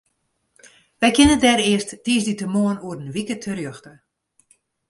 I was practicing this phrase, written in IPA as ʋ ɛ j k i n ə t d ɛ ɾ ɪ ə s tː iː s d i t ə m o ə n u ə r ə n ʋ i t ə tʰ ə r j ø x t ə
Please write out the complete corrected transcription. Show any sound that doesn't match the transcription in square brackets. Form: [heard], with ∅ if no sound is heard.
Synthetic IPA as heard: ʋ ɛ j k [ɪ] n ə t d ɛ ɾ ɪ ə s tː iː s d i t ə m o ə n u ə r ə n ʋ i [k] ə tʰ ə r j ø x t ə